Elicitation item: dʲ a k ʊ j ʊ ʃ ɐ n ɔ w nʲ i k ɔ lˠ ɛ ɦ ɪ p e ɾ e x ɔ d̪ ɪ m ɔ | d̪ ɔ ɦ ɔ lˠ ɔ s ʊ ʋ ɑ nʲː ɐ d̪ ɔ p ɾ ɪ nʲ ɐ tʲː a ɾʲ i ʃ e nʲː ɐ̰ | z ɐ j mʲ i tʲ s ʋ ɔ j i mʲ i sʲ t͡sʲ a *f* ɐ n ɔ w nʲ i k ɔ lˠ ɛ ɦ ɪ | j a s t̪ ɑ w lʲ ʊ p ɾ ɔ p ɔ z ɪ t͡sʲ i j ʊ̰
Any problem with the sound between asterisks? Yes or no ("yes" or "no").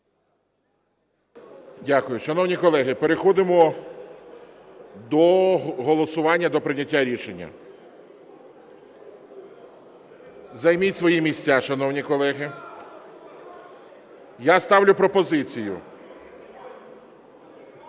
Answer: yes